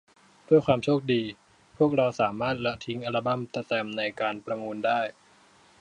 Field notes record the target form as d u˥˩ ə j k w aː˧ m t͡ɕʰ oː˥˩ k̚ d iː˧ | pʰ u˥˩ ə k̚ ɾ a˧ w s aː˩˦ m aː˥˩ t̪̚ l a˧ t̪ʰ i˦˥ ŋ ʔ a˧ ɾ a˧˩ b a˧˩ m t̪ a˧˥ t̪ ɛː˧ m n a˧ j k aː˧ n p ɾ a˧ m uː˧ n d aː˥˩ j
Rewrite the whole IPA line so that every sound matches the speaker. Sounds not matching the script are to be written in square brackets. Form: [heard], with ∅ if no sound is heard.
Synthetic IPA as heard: d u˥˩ ə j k w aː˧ m t͡ɕʰ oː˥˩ k̚ d iː˧ | pʰ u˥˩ ə k̚ ɾ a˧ w s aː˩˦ m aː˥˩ t̪̚ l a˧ t̪ʰ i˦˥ ŋ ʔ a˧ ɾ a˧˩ b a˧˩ m t̪ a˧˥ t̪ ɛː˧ m n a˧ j k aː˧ n p ɾ a˧ m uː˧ n d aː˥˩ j